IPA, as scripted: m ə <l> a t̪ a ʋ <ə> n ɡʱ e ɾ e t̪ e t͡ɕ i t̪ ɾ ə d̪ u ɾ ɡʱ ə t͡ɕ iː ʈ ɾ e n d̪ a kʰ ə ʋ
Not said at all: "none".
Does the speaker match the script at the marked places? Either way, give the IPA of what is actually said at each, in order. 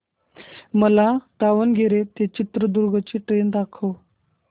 l, ə

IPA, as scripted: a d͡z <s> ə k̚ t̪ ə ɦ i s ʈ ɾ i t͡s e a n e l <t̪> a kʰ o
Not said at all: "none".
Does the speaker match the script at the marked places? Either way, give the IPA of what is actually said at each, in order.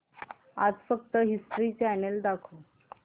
f, d̪

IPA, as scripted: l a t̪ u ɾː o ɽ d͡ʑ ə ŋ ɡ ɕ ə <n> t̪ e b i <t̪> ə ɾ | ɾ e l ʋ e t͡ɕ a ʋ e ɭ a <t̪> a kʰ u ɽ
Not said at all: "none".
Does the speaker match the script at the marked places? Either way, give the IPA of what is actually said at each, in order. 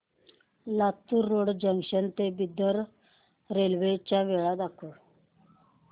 n, d̪, d̪

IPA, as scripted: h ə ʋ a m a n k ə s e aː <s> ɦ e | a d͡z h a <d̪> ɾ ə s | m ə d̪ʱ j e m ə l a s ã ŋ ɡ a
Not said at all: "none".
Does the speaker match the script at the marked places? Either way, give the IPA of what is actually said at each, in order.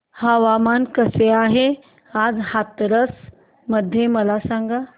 none, t̪

